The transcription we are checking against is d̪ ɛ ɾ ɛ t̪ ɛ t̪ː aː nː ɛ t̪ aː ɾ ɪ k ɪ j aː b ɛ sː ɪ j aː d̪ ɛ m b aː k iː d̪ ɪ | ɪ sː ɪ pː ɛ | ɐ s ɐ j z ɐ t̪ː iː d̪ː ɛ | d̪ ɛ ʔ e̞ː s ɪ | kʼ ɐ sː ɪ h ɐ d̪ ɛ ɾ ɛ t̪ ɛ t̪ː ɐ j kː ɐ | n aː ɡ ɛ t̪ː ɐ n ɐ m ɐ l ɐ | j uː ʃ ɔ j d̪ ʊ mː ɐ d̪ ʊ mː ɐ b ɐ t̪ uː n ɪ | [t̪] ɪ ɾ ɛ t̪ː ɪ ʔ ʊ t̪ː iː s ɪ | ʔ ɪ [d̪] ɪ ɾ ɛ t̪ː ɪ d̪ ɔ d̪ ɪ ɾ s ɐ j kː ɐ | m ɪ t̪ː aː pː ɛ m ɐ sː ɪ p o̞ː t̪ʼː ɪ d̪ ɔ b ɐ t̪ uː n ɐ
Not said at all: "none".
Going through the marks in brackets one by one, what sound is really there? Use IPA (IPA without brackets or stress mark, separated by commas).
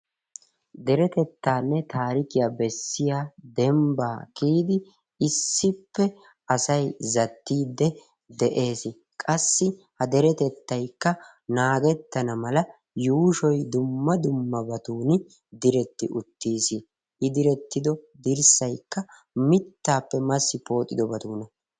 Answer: d̪, d̪